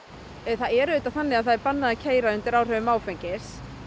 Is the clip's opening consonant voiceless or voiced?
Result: voiceless